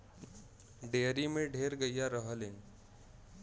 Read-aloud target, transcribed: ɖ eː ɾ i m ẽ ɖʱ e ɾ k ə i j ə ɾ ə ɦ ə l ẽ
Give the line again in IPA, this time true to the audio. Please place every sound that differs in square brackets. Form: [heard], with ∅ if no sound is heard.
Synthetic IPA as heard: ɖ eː ɾ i m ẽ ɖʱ e ɾ [ɡ] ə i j [a] ɾ ə ɦ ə l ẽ